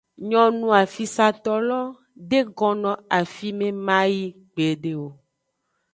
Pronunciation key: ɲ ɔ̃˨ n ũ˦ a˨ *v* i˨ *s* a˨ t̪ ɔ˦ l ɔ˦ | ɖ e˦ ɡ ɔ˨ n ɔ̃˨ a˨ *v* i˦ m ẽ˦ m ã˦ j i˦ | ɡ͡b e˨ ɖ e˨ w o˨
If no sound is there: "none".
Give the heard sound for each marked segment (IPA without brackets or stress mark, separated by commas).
f, s, f